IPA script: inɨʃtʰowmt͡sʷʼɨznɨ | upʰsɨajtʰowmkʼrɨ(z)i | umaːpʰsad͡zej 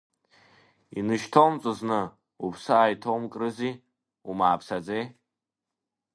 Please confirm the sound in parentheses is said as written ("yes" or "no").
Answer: yes